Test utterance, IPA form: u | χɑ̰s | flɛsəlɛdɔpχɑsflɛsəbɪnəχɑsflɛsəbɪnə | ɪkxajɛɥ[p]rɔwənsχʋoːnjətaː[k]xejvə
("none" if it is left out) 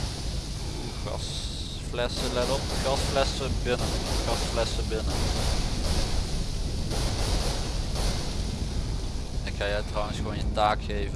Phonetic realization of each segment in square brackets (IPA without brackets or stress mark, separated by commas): t, k